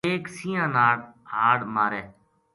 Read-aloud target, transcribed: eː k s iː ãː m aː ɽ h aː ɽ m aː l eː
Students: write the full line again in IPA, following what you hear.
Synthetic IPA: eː k s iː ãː n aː ɽ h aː ɽ m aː ɾ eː